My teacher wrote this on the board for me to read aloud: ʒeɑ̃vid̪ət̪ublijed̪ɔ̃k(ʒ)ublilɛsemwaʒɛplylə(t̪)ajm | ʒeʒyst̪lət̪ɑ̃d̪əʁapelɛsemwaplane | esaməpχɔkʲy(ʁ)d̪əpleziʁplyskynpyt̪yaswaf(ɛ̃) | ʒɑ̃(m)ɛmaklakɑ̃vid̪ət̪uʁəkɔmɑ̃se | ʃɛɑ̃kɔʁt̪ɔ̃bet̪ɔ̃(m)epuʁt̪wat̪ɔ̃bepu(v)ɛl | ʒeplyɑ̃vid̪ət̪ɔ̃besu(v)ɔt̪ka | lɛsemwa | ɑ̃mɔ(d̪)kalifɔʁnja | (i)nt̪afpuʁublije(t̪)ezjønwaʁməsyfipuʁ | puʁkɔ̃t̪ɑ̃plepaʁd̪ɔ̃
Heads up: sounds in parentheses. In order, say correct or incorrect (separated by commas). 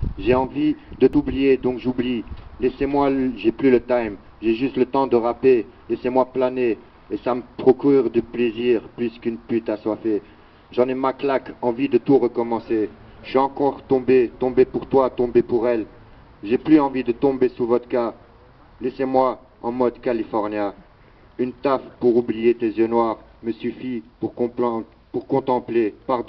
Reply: correct, correct, correct, incorrect, incorrect, incorrect, incorrect, correct, correct, incorrect, correct